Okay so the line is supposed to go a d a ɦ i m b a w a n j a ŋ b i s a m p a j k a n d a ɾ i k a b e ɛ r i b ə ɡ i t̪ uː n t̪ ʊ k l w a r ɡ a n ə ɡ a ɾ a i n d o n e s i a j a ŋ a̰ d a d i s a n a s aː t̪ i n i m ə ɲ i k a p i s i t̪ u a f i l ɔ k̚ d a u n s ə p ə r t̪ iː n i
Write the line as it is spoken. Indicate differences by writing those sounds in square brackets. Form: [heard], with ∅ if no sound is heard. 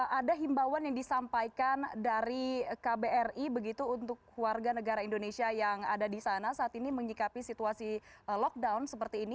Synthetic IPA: a d a ɦ i m b a w a n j a ŋ [d] i s a m p a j k a n d a ɾ i k a b e ɛ r i b ə ɡ i t̪ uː n t̪ ʊ k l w a r ɡ a n ə ɡ a ɾ a i n d o n e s i a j a ŋ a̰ d a d i s a n a s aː t̪ i n i m ə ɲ i k a p i s i t̪ u a [s] i l ɔ k̚ d a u n s ə p ə r t̪ iː n i